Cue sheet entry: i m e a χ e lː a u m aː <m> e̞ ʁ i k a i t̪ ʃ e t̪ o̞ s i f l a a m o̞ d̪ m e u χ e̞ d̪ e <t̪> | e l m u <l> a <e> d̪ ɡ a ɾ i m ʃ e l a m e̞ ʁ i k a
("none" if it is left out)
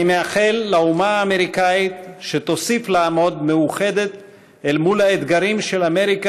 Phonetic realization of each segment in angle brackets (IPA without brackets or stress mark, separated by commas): m, t̪, l, e